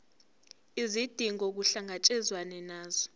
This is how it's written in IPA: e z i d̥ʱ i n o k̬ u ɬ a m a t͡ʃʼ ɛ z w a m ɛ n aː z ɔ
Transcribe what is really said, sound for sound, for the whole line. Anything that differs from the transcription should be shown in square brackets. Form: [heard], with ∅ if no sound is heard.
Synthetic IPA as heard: [i] z i d̥ʱ i [ŋ] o k̬ u ɬ a [ŋ] a t͡ʃʼ ɛ z w a [n] ɛ n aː z ɔ